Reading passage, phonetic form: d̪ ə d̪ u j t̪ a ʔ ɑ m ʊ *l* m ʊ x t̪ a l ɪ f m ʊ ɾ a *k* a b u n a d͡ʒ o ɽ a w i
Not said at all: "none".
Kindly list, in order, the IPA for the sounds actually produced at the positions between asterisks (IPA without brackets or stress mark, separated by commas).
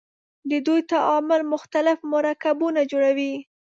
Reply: l, k